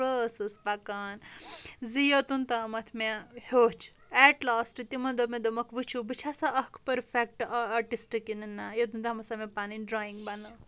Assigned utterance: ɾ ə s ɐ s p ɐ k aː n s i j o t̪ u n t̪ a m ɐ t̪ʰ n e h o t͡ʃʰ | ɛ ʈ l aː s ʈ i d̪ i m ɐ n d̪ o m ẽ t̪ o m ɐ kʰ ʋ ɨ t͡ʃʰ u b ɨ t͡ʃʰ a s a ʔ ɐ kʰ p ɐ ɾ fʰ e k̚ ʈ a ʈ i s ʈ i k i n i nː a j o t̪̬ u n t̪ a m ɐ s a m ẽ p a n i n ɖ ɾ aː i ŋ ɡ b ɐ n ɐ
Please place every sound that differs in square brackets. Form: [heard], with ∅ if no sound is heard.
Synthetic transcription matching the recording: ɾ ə s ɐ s p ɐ k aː n [z] i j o t̪ u n t̪ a m ɐ t̪ʰ [m] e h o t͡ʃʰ | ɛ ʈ l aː s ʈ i [t̪] i m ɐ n d̪ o m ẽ [d̪] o m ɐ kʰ ʋ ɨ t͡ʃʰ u b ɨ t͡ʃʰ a s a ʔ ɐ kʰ p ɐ ɾ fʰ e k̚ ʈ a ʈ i s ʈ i k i n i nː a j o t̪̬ u n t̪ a m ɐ s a m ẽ p a n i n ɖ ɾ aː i ŋ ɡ b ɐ n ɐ